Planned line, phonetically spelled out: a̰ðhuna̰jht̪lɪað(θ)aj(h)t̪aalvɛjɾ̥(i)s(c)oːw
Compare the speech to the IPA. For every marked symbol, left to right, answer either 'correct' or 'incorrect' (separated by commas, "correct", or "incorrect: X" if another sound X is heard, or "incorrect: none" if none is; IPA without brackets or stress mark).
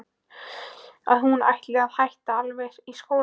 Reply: incorrect: h, correct, correct, incorrect: k